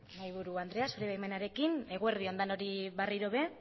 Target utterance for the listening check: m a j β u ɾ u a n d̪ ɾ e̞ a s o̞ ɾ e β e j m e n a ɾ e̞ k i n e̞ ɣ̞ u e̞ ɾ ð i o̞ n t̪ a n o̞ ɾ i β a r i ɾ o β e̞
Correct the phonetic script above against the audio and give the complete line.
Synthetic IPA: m a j β u ɾ u a n d̪ ɾ e̞ a s o̞ ɾ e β a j m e n a ɾ e̞ k i n e̞ ɣ̞ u e̞ ɾ ð i o̞ n d̪ a n o̞ ɾ i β a r i ɾ o β e̞